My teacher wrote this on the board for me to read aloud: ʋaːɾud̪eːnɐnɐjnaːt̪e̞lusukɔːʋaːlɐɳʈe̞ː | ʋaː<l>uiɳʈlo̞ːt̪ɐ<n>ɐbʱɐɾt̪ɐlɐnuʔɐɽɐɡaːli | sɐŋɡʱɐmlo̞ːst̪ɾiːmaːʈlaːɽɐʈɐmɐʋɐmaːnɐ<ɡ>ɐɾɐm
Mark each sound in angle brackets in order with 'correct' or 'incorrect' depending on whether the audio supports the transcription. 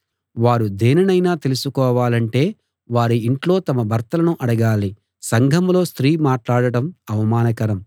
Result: incorrect, incorrect, incorrect

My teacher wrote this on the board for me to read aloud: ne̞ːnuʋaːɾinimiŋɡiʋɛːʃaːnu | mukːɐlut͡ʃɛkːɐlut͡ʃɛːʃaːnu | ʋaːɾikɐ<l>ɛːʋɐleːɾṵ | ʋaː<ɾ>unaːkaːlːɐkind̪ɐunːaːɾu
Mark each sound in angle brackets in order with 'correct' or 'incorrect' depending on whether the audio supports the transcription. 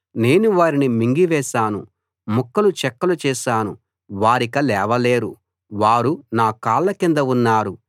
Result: correct, correct

